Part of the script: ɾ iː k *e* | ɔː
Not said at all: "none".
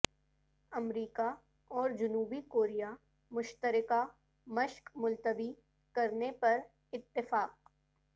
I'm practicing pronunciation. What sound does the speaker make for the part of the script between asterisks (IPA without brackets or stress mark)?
a